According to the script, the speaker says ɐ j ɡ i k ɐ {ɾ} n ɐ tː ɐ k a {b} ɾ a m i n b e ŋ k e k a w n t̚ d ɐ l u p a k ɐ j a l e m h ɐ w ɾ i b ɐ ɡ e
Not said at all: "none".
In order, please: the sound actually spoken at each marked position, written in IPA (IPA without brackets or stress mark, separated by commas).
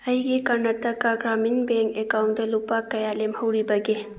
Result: ɾ, ɡ